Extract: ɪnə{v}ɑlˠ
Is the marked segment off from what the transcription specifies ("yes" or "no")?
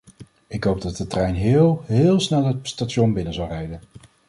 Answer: yes